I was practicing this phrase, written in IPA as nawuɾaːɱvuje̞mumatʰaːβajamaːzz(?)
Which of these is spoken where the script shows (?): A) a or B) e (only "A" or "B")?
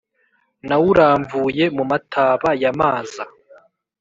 A